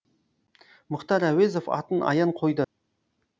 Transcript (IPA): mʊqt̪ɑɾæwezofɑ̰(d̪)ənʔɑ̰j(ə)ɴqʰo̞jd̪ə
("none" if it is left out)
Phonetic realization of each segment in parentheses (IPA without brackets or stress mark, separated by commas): t̪, ɑ